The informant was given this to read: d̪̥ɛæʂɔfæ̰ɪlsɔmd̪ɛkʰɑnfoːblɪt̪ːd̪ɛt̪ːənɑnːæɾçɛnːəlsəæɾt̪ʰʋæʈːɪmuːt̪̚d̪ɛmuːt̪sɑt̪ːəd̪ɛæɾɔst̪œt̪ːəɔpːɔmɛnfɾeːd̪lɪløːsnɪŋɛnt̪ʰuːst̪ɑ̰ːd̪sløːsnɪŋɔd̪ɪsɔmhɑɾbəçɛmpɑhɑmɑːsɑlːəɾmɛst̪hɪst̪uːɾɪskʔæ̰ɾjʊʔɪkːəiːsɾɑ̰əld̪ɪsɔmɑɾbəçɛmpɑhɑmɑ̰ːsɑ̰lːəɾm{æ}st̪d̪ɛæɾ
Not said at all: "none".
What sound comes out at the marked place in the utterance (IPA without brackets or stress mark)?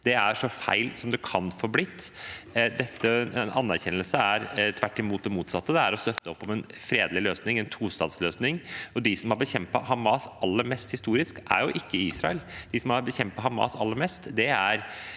ɛ